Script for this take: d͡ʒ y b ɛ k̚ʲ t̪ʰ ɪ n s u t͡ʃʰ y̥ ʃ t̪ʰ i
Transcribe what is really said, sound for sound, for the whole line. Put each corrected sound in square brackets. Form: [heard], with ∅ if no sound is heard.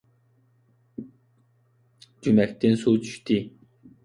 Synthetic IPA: d͡ʒ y [m] ɛ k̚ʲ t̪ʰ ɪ n s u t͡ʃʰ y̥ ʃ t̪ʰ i